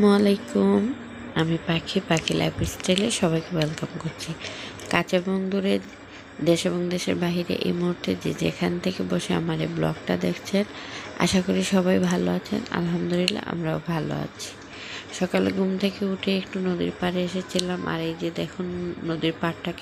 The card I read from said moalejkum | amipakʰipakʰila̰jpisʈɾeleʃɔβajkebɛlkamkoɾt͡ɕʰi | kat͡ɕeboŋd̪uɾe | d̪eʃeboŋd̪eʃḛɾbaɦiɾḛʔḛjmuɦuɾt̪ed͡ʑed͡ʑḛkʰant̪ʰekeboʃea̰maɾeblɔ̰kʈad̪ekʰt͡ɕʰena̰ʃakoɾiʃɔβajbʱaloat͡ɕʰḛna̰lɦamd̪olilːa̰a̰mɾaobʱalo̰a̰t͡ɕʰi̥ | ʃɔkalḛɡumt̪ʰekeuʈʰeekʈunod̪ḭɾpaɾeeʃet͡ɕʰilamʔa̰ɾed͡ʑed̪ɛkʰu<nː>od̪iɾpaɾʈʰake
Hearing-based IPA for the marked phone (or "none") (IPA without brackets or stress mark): nː